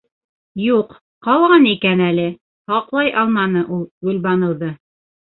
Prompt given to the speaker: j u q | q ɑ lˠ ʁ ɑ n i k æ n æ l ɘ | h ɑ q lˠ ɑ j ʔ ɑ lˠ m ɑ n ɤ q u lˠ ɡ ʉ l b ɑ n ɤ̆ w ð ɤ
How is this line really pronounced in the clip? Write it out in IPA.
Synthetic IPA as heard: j u q | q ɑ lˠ ʁ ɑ n i k æ n æ l ɘ | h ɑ q lˠ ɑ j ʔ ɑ lˠ m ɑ n ɤ ʔ u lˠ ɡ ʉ l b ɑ n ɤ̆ w ð ɤ